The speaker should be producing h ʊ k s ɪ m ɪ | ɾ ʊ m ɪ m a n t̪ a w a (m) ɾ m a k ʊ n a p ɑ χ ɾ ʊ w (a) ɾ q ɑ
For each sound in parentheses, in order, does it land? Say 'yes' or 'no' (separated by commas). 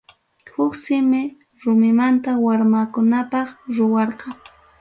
no, no